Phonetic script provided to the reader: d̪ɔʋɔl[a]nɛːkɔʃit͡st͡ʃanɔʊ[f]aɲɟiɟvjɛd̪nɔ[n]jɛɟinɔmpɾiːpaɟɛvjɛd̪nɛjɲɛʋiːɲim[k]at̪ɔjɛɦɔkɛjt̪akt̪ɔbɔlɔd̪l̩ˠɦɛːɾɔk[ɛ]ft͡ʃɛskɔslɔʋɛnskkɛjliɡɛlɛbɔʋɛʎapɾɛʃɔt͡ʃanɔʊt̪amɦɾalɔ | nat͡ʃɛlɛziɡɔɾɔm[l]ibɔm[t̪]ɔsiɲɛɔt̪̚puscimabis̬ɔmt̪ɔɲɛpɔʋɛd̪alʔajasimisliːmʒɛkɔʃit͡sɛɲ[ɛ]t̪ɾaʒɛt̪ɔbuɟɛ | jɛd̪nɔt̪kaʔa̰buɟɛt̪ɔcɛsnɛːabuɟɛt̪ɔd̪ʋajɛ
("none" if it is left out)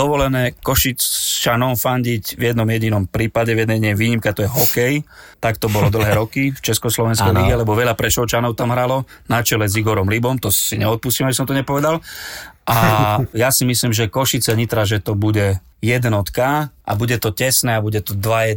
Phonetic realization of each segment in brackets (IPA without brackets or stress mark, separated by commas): ɛ, f, m, k, i, l, t̪, i